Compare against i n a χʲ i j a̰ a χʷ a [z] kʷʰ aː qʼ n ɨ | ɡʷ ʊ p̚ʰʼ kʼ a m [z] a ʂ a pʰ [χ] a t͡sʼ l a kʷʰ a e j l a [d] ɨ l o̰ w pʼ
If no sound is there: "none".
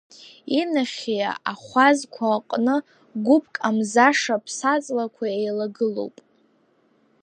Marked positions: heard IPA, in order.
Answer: z, z, s, ɡ

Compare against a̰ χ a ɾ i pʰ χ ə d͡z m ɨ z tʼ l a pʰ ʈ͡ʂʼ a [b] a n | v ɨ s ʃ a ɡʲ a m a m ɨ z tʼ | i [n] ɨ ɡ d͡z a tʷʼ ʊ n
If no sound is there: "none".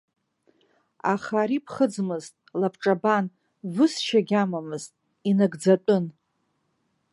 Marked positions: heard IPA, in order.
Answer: b, n

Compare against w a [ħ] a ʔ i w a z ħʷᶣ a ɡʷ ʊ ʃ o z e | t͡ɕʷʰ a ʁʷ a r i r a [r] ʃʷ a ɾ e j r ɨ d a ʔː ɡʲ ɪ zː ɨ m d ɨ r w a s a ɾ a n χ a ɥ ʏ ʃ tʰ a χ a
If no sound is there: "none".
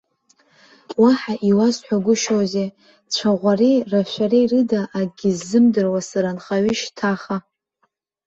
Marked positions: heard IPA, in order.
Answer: ħ, none

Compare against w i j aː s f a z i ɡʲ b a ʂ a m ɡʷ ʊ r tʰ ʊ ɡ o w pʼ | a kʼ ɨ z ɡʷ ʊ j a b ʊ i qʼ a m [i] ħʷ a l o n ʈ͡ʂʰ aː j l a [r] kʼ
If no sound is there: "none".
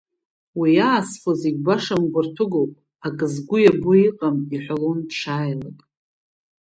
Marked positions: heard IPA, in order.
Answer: i, none

